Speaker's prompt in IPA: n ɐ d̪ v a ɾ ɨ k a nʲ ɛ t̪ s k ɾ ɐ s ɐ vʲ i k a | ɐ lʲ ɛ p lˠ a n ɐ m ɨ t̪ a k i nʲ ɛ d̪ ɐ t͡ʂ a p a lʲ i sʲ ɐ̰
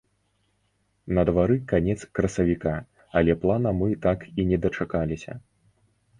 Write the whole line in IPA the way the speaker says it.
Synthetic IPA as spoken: n ɐ d̪ v a ɾ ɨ k a nʲ ɛ t̪ s k ɾ ɐ s ɐ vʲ i k a | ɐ lʲ ɛ p lˠ a n ɐ m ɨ t̪ a k i nʲ ɛ d̪ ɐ t͡ʂ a k a lʲ i sʲ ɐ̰